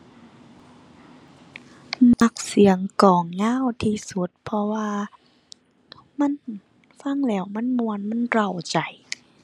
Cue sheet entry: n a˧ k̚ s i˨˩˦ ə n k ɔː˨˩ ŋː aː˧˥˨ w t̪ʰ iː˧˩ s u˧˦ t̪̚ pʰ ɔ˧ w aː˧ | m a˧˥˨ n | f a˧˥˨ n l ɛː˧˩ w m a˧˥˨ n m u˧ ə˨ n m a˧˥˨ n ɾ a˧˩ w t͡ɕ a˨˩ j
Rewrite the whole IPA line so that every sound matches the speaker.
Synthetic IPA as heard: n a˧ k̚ s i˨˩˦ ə ŋ k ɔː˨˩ ŋː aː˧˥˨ w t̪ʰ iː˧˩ s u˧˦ t̪̚ pʰ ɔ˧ w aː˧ | m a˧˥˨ n | f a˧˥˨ ŋ l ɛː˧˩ w m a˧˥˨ n m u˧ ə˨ n m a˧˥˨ n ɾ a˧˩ w t͡ɕ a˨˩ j